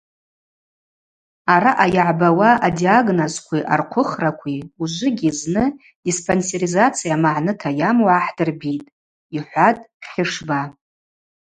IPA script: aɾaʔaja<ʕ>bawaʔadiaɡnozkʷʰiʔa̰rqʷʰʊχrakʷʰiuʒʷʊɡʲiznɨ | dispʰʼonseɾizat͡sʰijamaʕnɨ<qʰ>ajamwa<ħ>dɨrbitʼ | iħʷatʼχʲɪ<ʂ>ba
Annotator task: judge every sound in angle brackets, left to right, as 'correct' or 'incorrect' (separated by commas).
correct, incorrect, correct, correct